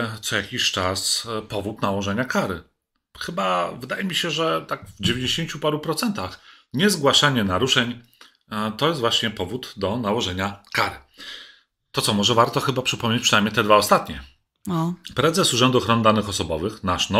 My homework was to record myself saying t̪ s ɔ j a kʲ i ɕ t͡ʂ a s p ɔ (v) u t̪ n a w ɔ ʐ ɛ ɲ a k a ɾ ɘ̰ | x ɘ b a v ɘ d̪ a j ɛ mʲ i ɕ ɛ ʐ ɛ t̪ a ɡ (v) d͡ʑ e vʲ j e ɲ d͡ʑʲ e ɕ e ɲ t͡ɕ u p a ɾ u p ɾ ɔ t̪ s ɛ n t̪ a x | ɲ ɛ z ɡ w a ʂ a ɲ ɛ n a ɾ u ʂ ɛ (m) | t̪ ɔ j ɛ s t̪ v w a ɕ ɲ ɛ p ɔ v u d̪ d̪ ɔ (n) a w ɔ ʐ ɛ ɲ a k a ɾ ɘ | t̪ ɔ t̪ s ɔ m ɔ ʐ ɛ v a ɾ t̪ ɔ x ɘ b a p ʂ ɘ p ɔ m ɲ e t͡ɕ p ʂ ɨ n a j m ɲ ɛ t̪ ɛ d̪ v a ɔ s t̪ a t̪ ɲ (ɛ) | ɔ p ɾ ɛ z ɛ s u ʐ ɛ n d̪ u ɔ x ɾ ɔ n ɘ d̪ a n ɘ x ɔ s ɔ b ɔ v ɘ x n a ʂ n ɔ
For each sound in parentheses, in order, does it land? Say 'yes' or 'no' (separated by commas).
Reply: yes, yes, no, yes, yes